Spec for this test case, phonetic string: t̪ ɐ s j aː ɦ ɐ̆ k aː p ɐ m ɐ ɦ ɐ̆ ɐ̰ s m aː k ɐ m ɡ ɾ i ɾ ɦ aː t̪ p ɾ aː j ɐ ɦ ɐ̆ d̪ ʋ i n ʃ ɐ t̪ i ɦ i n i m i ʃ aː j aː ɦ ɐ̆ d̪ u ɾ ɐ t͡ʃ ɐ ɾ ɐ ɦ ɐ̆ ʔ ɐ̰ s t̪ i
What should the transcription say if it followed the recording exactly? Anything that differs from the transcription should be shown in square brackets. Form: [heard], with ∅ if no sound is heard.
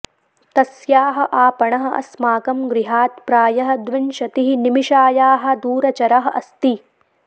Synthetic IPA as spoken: t̪ ɐ s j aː ɦ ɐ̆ [ʔ] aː p ɐ [ɳ] ɐ ɦ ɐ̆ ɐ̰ s m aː k ɐ m ɡ ɾ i [∅] ɦ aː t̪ p ɾ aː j ɐ ɦ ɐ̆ d̪ ʋ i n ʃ ɐ t̪ i ɦ i n i m i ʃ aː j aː ɦ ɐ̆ d̪ [uː] ɾ ɐ t͡ʃ ɐ ɾ ɐ ɦ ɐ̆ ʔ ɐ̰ s t̪ i